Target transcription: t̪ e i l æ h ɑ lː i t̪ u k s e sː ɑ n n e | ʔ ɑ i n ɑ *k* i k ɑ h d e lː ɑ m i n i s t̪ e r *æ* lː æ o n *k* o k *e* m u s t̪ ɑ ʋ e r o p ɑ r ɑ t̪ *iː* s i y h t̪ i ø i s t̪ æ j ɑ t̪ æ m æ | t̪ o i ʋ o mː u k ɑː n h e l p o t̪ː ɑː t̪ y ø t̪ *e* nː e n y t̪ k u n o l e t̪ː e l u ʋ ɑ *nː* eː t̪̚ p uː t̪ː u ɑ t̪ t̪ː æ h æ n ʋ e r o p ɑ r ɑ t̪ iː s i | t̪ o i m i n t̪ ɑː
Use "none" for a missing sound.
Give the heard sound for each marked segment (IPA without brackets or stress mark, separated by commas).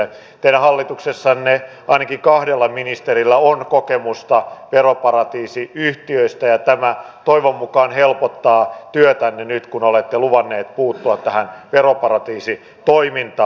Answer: k, i, k, e, iː, æ, nː